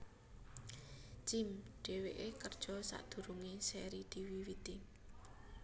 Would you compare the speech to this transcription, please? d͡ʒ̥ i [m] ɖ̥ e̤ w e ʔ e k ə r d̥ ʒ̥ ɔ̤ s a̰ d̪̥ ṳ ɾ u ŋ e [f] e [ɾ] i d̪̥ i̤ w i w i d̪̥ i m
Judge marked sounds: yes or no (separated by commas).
yes, no, yes